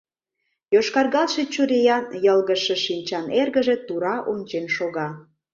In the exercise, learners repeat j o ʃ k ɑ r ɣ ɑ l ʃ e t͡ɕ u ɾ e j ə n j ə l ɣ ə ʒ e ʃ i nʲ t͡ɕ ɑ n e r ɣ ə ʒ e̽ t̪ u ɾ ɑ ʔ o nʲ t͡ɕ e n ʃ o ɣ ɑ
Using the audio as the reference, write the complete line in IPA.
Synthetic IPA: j o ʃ k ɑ r ɣ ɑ l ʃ e t͡ɕ u ɾ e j ɑ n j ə l ɣ ə ʃ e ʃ i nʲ t͡ɕ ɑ n e r ɣ ə ʒ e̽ t̪ u ɾ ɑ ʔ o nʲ t͡ɕ e n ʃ o ɣ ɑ